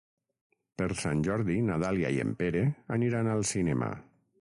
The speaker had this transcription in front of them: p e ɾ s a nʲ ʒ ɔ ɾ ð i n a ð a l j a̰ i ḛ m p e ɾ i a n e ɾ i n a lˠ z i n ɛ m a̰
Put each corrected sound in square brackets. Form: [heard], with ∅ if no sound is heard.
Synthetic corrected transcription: p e ɾ s a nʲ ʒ ɔ ɾ ð i n a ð a l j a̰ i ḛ m p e ɾ [e] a n [i] ɾ [a] n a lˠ [s] i n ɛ m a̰